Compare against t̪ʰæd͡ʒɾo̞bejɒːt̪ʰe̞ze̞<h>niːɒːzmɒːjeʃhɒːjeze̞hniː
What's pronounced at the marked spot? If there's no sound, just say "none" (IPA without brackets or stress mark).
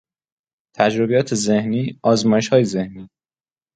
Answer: h